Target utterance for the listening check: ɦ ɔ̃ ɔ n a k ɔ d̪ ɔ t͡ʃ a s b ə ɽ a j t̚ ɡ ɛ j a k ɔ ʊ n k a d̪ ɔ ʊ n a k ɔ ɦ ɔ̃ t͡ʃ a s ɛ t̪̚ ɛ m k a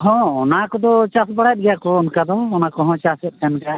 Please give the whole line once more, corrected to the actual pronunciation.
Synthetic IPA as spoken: ɦ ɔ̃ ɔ n a k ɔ d̪ ɔ t͡ʃ a s b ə ɽ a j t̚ ɡ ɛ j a k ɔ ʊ n k a d̪ ɔ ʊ n a k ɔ ɦ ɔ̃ t͡ʃ a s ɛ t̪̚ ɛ n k a